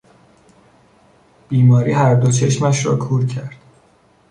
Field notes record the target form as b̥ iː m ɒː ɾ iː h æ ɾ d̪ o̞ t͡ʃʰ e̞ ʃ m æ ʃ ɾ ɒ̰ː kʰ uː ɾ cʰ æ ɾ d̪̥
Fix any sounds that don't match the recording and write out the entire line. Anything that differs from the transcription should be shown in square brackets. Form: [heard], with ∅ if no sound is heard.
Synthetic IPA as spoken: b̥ iː m ɒː ɾ iː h æ ɾ d̪ o̞ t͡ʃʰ e̞ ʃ m æ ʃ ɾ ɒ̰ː kʰ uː ɾ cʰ æ ɾ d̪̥

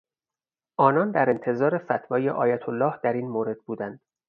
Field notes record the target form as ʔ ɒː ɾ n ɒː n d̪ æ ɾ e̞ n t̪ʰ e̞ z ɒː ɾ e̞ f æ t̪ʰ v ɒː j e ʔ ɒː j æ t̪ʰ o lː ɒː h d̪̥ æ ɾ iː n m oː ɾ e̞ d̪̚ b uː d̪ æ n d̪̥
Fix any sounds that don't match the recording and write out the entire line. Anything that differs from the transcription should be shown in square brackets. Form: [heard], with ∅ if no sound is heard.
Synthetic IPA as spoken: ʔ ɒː [∅] n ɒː n d̪ æ ɾ e̞ n t̪ʰ e̞ z ɒː ɾ e̞ f æ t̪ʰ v ɒː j e ʔ ɒː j æ t̪ʰ o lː ɒː h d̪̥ æ ɾ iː n m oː ɾ e̞ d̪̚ b uː d̪ æ n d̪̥

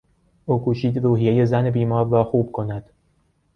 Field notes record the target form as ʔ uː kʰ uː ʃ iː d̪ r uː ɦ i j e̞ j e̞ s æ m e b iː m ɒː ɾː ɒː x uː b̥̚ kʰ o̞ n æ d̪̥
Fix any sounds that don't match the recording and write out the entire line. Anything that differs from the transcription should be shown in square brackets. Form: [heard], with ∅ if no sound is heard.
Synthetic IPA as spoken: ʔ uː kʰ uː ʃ iː d̪ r uː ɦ i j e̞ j e̞ [z] æ [n] e b iː m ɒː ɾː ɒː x uː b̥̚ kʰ o̞ n æ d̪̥

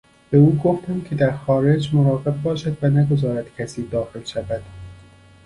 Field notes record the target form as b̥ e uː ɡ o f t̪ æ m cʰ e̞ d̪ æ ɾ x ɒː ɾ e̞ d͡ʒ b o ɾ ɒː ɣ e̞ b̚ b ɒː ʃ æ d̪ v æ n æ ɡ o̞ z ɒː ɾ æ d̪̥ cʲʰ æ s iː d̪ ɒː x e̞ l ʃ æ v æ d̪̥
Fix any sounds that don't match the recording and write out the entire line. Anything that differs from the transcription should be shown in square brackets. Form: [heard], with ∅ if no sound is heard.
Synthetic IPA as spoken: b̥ e uː ɡ o f t̪ æ m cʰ e̞ d̪ æ ɾ x ɒː ɾ e̞ d͡ʒ [m] o ɾ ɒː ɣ e̞ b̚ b ɒː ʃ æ d̪ v æ n æ ɡ o̞ z ɒː ɾ æ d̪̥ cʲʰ æ s iː d̪ ɒː x e̞ l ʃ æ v æ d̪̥

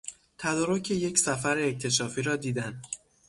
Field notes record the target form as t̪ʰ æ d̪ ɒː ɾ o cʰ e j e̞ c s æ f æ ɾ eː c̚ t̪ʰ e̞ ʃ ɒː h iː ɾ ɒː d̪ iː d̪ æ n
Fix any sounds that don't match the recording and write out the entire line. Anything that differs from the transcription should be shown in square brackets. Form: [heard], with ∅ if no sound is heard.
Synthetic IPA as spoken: t̪ʰ æ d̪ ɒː ɾ o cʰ e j e̞ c s æ f æ ɾ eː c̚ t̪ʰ e̞ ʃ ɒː [f] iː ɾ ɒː d̪ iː d̪ æ n

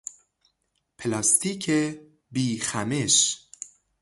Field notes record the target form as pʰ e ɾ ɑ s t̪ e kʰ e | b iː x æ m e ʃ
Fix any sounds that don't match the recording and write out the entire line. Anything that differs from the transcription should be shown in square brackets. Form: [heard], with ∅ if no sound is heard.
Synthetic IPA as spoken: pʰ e [l] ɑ s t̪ [i] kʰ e | b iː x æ m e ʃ

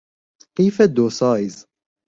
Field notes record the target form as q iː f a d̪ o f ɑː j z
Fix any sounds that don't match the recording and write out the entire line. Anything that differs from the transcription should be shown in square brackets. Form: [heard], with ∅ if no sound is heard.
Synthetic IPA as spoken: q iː f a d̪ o [s] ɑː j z

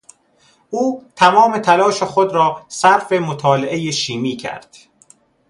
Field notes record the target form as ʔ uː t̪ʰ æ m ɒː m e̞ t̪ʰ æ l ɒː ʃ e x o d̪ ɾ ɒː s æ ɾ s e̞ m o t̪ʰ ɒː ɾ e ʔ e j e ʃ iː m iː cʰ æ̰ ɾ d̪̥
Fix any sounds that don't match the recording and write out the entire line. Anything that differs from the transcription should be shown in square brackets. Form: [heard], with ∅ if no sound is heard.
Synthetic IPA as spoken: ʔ uː t̪ʰ æ m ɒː m e̞ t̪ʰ æ l ɒː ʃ e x o d̪ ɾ ɒː s æ ɾ [f] e̞ m o t̪ʰ ɒː [l] e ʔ e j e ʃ iː m iː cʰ æ̰ ɾ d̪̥

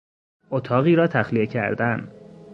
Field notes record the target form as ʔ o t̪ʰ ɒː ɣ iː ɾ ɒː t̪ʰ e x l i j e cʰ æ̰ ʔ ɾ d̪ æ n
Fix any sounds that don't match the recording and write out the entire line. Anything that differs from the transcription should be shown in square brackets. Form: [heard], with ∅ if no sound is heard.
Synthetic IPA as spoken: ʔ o t̪ʰ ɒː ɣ iː ɾ ɒː t̪ʰ [æ] x l i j e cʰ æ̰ [∅] ɾ d̪ æ n

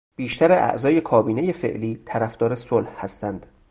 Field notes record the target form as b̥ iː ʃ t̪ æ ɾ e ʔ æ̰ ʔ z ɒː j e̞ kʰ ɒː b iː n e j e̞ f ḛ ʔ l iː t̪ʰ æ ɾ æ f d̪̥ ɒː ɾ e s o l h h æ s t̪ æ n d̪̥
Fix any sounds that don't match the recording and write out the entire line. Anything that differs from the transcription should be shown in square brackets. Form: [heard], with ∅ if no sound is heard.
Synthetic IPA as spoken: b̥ iː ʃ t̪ æ ɾ e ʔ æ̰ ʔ z ɒː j e̞ kʰ ɒː b iː n e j e̞ f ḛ ʔ l iː t̪ʰ æ ɾ æ f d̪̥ ɒː ɾ e s o l h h æ s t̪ æ n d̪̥

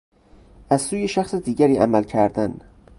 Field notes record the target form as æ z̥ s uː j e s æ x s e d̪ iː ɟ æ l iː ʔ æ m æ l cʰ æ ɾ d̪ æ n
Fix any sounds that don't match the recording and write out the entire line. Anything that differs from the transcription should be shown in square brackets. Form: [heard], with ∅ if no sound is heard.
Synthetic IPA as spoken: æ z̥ s uː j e [ʃ] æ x s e d̪ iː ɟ æ [ɾ] iː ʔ æ m æ l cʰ æ ɾ d̪ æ n

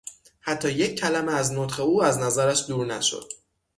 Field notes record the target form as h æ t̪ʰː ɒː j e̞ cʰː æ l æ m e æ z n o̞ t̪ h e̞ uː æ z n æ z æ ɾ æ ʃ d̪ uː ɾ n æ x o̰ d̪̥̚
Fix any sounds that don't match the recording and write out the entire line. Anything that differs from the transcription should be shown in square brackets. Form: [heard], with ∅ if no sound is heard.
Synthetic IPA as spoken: h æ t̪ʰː ɒː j e̞ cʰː æ l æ m e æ z n o̞ t̪ [χ] e̞ uː æ z n æ z æ ɾ æ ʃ d̪ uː ɾ n æ [ʃ] o̰ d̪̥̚

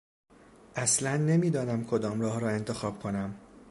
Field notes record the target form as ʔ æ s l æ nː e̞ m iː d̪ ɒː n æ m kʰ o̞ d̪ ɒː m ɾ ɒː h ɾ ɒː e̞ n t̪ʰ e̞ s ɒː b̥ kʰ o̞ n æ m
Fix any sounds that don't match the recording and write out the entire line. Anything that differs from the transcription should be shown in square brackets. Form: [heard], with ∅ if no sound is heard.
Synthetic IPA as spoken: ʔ æ s l æ nː e̞ m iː d̪ ɒː n æ m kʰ o̞ d̪ ɒː m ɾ ɒː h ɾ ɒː e̞ n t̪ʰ e̞ [x] ɒː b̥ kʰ o̞ n æ m

